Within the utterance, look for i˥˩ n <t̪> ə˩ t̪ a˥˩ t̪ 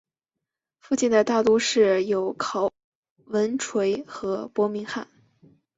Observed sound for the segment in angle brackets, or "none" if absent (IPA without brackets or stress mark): d̪